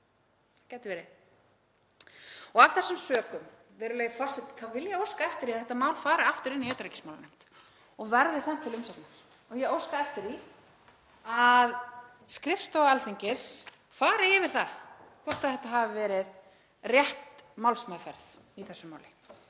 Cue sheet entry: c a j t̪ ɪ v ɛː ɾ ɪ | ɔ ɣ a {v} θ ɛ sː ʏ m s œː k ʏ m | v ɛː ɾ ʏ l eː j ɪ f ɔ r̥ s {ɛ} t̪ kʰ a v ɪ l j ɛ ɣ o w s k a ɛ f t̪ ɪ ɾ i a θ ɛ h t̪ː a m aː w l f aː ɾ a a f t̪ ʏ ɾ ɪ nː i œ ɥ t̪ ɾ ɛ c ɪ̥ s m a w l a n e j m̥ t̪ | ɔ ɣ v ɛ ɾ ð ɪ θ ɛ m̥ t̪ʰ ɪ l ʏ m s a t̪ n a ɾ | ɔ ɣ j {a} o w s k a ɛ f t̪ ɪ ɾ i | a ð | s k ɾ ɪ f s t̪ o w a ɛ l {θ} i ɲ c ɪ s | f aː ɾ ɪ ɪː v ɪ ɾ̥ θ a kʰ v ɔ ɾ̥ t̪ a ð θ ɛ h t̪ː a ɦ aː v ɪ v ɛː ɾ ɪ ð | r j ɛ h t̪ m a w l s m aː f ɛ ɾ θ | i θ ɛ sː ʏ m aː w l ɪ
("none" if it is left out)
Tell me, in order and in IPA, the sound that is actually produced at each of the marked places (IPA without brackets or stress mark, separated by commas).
v, ɛ, ɛ, θ